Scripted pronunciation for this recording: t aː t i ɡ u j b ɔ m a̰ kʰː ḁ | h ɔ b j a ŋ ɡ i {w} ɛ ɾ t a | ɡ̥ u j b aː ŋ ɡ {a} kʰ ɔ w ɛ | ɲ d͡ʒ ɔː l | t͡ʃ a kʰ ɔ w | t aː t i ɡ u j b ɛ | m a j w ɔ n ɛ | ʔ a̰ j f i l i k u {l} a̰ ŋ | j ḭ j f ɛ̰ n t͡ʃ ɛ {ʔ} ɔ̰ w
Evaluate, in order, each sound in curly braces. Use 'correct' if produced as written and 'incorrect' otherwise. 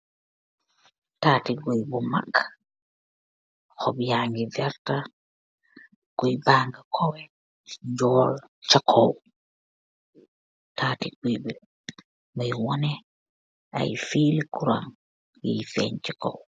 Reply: incorrect: v, correct, incorrect: ɾ, incorrect: k

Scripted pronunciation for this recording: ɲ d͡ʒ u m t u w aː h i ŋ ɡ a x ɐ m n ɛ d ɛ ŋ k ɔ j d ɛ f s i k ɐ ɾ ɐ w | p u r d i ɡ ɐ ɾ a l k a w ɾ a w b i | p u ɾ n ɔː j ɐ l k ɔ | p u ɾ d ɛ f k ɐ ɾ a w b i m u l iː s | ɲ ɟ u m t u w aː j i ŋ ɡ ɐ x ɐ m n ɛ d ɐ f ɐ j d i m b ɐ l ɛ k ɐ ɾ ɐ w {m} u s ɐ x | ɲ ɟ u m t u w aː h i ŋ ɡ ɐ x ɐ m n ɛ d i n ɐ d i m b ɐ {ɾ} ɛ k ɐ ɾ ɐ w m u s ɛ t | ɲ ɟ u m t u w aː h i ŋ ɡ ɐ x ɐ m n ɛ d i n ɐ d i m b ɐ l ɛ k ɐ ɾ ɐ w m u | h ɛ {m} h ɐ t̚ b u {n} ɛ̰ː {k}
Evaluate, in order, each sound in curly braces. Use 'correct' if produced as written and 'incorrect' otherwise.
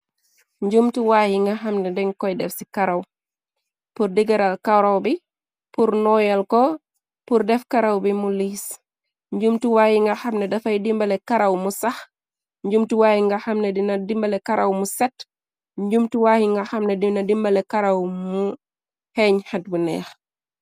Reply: correct, incorrect: l, incorrect: ɲ, correct, incorrect: x

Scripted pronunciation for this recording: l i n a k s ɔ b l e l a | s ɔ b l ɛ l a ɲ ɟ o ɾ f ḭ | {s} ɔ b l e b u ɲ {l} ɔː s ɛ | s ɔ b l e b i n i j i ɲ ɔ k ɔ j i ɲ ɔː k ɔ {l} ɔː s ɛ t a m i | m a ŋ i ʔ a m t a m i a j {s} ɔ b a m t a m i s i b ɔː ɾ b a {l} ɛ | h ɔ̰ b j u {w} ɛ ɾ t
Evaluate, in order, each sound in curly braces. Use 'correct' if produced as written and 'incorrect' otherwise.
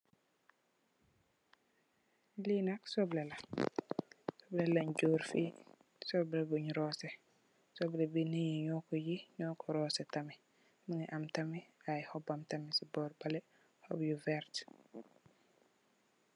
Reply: correct, incorrect: ɾ, incorrect: ɾ, incorrect: h, correct, incorrect: v

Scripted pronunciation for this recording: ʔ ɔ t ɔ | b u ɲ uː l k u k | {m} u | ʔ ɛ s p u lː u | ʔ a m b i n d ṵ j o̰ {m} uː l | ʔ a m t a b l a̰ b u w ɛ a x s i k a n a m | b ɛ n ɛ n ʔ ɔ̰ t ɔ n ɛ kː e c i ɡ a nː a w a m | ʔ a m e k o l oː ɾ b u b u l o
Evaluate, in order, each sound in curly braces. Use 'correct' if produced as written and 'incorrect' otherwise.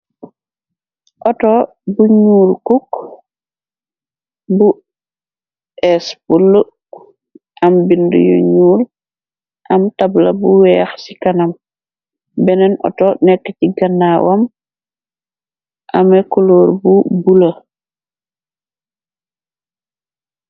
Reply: incorrect: b, incorrect: ɲ

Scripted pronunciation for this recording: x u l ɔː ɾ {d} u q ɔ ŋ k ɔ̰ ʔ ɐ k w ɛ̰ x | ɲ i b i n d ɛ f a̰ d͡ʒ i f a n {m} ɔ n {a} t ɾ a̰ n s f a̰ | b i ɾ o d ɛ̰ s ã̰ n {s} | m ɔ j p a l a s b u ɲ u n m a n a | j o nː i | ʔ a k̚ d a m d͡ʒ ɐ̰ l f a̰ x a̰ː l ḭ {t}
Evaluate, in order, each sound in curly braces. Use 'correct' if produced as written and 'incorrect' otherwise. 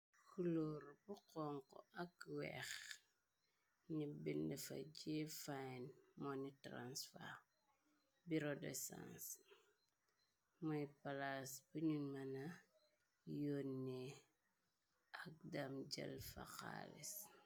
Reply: incorrect: b, correct, incorrect: i, correct, incorrect: s

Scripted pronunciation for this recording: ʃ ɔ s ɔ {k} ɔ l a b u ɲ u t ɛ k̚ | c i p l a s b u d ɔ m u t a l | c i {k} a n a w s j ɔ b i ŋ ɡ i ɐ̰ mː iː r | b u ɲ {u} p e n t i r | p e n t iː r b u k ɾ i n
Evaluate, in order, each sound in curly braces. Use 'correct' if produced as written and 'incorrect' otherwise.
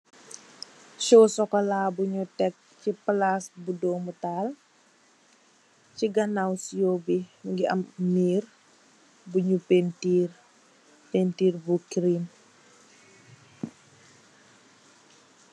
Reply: correct, incorrect: ɡ, correct

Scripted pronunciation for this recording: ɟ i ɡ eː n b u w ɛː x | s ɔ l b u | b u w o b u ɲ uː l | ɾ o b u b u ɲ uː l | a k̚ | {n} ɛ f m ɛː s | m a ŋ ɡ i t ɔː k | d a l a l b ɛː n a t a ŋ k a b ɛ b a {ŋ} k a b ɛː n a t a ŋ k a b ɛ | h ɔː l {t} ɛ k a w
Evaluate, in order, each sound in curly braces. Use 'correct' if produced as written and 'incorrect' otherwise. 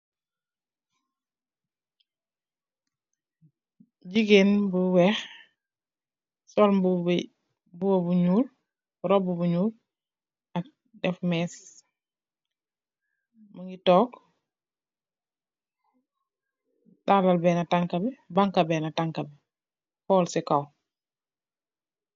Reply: incorrect: d, correct, incorrect: s

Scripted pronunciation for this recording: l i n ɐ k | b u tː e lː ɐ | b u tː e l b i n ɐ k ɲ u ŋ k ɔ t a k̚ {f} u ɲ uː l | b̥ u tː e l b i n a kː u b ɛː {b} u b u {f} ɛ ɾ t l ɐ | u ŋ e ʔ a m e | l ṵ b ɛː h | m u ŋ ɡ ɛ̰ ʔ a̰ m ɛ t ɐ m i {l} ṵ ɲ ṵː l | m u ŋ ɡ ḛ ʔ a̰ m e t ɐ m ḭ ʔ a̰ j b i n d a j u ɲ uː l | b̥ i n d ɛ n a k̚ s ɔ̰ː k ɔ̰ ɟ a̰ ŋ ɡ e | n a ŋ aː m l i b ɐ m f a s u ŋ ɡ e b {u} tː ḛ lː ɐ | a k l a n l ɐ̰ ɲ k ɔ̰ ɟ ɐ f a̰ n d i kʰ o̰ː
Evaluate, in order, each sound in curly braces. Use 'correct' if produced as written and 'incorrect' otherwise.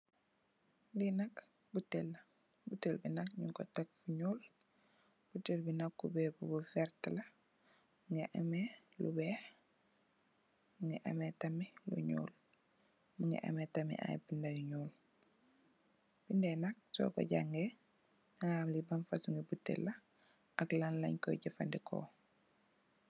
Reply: correct, correct, correct, correct, correct

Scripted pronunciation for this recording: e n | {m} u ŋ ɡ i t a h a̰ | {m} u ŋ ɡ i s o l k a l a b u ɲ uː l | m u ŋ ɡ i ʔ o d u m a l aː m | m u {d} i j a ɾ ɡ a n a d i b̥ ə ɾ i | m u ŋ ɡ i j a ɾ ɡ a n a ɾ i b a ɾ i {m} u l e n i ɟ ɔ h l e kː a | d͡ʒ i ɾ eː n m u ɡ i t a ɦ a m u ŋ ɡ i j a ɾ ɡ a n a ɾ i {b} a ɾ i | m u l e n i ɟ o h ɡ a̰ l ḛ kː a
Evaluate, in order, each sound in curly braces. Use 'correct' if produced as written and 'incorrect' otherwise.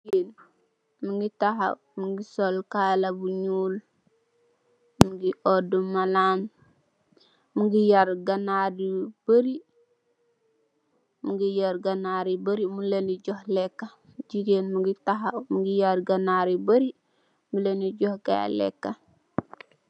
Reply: correct, correct, incorrect: ɡ, correct, correct

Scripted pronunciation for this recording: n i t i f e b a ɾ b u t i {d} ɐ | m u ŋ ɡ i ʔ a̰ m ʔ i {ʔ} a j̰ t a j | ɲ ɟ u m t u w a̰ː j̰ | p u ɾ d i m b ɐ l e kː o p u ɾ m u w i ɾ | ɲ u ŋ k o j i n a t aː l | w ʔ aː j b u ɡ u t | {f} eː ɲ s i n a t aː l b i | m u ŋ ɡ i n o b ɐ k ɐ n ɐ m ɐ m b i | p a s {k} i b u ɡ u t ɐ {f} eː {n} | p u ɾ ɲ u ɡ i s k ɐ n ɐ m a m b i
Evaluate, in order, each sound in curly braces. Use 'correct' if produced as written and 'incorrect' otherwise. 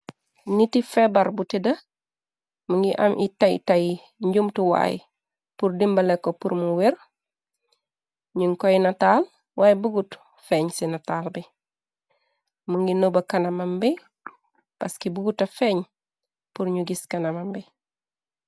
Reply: correct, incorrect: t, correct, correct, correct, incorrect: ɲ

